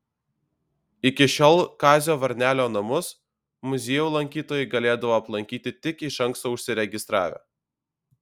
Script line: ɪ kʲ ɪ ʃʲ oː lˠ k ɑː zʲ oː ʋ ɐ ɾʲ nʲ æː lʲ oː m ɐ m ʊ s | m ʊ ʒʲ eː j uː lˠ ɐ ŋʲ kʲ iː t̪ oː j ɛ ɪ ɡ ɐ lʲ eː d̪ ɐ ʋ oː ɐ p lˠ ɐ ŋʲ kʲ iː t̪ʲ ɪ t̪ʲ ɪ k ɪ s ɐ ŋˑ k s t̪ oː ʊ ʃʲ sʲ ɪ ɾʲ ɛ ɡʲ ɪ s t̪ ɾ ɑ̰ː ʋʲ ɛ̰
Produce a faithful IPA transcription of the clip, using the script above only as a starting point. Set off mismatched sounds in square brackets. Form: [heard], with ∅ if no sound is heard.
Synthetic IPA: ɪ kʲ ɪ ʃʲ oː lˠ k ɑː zʲ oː ʋ ɐ ɾʲ nʲ æː lʲ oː [n] ɐ m ʊ s | m ʊ [zʲ] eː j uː lˠ ɐ ŋʲ kʲ iː t̪ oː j ɛ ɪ ɡ ɐ lʲ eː d̪ ɐ ʋ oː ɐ p lˠ ɐ ŋʲ kʲ iː t̪ʲ ɪ t̪ʲ ɪ k ɪ [ʃ] ɐ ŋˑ k s t̪ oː ʊ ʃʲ sʲ ɪ ɾʲ ɛ ɡʲ ɪ s t̪ ɾ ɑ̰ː ʋʲ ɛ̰

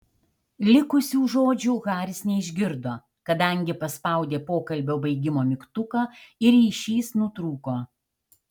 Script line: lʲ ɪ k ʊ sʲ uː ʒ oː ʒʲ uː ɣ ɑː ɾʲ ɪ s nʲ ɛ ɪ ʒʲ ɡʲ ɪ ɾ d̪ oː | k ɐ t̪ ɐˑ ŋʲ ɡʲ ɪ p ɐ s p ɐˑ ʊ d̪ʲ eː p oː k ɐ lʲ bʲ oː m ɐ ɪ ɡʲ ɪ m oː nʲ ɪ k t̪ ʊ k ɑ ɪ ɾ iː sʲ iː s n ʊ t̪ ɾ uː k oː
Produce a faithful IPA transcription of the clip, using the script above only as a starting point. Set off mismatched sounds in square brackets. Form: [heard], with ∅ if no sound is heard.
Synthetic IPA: lʲ ɪ k ʊ sʲ uː ʒ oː [d͡ʒʲ] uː ɣ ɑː ɾʲ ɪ s nʲ ɛ ɪ ʒʲ ɡʲ ɪ ɾ d̪ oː | k ɐ [d̪] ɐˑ ŋʲ ɡʲ ɪ p ɐ s p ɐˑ ʊ d̪ʲ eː p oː k ɐ lʲ bʲ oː [b] ɐ ɪ ɡʲ ɪ m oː [mʲ] ɪ k t̪ ʊ k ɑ ɪ ɾ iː [ʃʲ] iː s n ʊ t̪ ɾ uː k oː

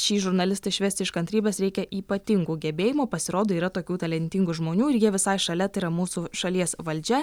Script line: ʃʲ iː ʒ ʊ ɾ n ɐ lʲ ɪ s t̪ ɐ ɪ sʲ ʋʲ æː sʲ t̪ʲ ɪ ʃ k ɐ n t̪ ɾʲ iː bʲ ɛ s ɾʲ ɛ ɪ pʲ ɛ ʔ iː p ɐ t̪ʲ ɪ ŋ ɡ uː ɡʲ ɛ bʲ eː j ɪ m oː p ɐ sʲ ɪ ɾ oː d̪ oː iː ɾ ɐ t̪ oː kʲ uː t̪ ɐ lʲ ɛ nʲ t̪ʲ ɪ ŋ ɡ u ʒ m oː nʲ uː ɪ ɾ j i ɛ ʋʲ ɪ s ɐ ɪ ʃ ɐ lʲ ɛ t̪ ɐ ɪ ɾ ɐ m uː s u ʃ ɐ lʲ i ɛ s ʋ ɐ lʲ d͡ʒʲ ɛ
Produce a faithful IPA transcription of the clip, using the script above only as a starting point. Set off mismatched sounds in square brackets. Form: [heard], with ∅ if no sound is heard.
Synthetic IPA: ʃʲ iː ʒ ʊ ɾ n ɐ lʲ ɪ s t̪ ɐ ɪ [ʃʲ] ʋʲ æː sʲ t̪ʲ ɪ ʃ k ɐ n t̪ ɾʲ iː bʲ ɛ s ɾʲ ɛ ɪ [kʲ] ɛ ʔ iː p ɐ t̪ʲ ɪ ŋ ɡ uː ɡʲ ɛ bʲ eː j ɪ m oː p ɐ sʲ ɪ ɾ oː d̪ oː iː ɾ ɐ t̪ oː kʲ uː t̪ ɐ lʲ ɛ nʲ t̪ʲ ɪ ŋ ɡ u ʒ m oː nʲ uː ɪ ɾ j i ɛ ʋʲ ɪ s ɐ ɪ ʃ ɐ lʲ ɛ t̪ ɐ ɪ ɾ ɐ m uː s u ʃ ɐ lʲ i ɛ s ʋ ɐ lʲ d͡ʒʲ ɛ

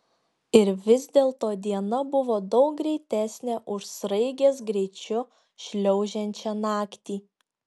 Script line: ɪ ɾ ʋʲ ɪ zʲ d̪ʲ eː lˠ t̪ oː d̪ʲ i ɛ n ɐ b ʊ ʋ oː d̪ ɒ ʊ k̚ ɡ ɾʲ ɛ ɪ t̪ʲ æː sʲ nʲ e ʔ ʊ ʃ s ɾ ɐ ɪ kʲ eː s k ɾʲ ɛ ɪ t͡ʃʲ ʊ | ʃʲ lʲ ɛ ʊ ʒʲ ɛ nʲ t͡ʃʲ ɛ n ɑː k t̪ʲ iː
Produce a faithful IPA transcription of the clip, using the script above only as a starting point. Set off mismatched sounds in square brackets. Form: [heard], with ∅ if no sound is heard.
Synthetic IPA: ɪ ɾ ʋʲ ɪ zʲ d̪ʲ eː lˠ t̪ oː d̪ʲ i ɛ n ɐ b ʊ ʋ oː d̪ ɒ ʊ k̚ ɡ ɾʲ ɛ ɪ t̪ʲ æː sʲ nʲ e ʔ ʊ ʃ s ɾ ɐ ɪ [ɡʲ] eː s [ɡ] ɾʲ ɛ ɪ t͡ʃʲ ʊ | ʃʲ lʲ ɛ ʊ ʒʲ ɛ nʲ t͡ʃʲ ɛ n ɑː k t̪ʲ iː

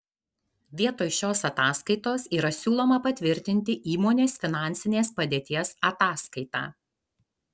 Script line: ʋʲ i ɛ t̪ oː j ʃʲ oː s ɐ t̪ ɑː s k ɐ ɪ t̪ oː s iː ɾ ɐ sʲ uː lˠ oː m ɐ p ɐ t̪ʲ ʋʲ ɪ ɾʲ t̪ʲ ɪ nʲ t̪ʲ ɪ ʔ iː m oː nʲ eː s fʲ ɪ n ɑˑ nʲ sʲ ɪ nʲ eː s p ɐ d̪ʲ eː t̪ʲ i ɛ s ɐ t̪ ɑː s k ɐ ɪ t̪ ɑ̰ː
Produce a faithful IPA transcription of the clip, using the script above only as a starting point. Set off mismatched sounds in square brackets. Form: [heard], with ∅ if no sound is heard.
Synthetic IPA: ʋʲ i ɛ t̪ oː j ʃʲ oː s ɐ t̪ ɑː s k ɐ ɪ t̪ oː s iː ɾ ɐ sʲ uː lˠ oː m ɐ p ɐ t̪ʲ ʋʲ ɪ ɾʲ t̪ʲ ɪ nʲ t̪ʲ ɪ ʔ iː m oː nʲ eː s fʲ ɪ n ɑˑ nʲ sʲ ɪ nʲ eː s p ɐ d̪ʲ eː t̪ʲ i ɛ s ɐ t̪ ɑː s k ɐ ɪ t̪ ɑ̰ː

